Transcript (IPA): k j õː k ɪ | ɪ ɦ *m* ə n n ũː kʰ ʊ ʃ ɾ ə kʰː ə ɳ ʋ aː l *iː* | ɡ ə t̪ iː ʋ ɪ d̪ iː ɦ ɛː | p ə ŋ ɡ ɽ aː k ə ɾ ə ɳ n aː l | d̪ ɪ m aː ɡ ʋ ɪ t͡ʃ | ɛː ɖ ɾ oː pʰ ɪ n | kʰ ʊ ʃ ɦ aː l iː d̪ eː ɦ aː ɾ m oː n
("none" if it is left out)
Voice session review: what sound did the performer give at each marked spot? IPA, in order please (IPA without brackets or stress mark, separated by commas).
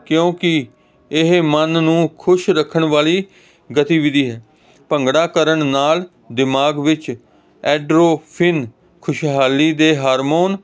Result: m, iː